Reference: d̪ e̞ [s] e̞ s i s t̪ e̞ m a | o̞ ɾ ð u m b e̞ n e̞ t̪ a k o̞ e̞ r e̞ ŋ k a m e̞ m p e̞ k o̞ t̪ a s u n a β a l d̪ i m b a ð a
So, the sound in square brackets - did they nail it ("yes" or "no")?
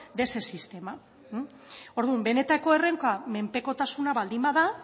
yes